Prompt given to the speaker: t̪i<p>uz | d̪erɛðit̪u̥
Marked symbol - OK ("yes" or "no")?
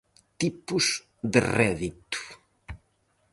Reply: yes